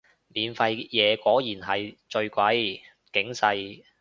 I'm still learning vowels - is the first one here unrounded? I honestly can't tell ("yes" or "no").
yes